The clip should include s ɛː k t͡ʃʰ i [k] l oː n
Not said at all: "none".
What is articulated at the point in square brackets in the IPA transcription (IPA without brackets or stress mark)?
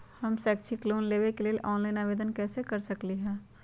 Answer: k